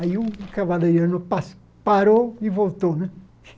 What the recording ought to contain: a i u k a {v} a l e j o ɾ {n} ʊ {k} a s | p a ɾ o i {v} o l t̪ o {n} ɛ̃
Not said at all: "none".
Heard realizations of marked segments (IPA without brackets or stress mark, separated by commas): v, n, p, v, n